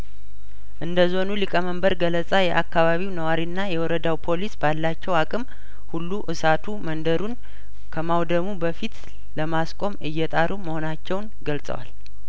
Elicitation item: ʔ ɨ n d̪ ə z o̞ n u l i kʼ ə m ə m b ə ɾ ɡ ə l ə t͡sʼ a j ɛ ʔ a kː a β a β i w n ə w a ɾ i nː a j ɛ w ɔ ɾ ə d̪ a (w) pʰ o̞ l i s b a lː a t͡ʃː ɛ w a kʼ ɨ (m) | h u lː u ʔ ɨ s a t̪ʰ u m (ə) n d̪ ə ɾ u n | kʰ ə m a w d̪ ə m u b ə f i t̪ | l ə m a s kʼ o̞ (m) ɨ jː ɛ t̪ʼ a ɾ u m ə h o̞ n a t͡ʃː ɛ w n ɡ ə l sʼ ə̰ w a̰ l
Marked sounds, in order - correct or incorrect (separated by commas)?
correct, correct, correct, correct